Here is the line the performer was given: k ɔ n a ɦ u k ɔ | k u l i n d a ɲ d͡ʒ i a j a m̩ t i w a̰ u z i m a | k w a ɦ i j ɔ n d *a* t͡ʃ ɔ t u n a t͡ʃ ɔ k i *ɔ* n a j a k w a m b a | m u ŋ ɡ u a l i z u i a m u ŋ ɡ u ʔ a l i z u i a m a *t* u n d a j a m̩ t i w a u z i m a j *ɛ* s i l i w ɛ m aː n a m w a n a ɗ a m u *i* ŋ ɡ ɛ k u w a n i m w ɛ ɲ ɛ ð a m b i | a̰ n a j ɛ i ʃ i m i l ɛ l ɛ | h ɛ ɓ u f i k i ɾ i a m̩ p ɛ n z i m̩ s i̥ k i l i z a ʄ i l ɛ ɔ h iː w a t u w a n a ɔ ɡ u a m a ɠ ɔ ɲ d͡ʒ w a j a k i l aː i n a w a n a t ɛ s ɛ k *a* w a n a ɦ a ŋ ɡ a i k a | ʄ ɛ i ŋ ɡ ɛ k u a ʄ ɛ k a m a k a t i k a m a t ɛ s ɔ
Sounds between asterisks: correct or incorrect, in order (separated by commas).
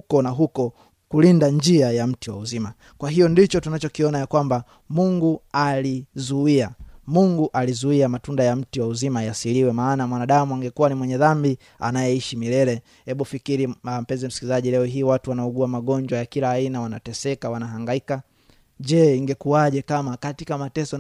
incorrect, correct, correct, incorrect, incorrect, correct